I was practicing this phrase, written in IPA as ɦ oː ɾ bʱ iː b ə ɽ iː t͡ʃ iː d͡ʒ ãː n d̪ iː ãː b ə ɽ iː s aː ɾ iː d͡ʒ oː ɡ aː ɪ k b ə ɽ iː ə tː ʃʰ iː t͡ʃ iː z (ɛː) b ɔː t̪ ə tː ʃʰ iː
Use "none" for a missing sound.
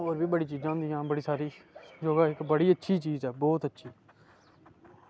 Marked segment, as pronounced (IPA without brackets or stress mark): ɛː